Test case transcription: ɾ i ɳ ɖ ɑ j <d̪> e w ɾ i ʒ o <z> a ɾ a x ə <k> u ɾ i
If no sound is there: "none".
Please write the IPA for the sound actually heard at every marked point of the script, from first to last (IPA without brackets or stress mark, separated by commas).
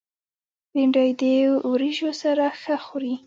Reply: d̪, s, x